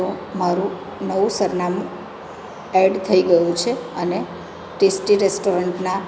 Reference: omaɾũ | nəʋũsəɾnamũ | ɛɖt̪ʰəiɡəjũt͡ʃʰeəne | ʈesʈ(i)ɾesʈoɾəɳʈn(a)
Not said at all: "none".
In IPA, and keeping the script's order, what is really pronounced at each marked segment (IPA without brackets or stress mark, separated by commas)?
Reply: i, a